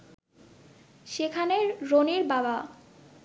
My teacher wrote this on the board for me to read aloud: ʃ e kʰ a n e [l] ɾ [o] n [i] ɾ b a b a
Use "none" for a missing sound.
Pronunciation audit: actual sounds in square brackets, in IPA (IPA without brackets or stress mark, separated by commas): ɾ, o, i